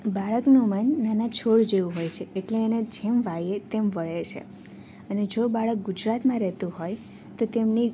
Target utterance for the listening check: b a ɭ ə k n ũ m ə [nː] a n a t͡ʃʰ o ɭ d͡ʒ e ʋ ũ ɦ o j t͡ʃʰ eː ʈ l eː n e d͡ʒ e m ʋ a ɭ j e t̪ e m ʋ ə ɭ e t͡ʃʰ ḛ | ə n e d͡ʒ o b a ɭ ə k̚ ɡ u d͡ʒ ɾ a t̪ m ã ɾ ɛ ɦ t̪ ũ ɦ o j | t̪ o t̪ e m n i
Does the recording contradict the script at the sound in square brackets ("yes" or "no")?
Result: no